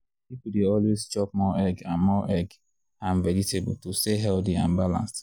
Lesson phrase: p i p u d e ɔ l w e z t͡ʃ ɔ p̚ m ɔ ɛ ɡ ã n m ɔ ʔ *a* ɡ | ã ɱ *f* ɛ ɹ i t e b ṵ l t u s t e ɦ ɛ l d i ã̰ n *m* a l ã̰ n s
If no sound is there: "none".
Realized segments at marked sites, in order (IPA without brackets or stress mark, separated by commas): ɛ, v, b